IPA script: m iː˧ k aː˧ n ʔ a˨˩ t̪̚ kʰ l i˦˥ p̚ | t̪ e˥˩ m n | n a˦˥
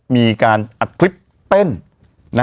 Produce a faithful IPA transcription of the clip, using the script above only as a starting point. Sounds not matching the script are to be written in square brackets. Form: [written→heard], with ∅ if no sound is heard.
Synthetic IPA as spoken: m iː˧ k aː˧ n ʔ a˨˩ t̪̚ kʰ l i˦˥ p̚ | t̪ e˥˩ [m→∅] n | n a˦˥